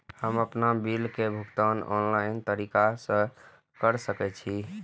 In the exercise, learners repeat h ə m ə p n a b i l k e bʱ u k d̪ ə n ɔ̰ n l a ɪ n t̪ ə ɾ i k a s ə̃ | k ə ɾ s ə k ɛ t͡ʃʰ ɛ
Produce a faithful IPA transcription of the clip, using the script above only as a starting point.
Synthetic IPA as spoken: h ə m ə p n a b i l k e bʱ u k t̪ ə n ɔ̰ n l a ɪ n t̪ ə ɾ i k a s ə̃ | k ə ɾ s ə k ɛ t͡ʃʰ i